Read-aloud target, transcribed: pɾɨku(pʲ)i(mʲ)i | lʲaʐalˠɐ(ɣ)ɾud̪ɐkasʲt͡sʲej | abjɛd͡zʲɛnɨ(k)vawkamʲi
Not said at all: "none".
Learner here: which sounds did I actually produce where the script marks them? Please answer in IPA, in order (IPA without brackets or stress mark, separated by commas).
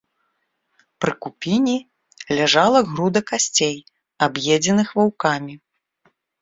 pʲ, nʲ, ɣ, x